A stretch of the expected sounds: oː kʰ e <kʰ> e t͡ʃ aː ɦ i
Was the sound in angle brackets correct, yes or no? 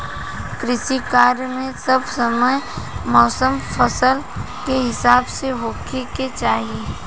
no